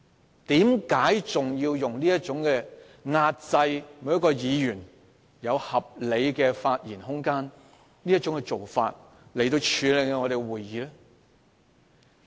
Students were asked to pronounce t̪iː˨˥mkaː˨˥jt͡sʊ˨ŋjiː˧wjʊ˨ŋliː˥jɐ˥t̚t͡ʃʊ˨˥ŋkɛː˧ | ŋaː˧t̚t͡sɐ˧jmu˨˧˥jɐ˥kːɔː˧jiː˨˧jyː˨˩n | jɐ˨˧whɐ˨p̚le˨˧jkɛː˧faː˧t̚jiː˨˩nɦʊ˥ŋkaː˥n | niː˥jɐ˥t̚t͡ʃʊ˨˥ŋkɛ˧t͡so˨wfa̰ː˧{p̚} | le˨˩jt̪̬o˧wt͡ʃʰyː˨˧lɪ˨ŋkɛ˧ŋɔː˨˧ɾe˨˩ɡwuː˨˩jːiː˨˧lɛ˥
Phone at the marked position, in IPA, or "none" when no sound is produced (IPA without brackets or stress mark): t̚